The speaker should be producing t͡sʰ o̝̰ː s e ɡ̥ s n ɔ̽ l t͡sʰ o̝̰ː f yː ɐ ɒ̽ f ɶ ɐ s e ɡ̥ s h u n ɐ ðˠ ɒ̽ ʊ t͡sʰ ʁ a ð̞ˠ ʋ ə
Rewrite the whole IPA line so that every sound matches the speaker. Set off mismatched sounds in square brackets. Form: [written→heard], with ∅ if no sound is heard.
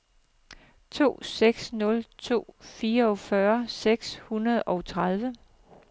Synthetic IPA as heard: t͡sʰ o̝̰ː s e ɡ̥ s n ɔ̽ l t͡sʰ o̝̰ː f [yː→iː] ɐ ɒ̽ f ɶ ɐ s e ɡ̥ s h u n ɐ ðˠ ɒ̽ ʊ t͡sʰ ʁ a ð̞ˠ ʋ ə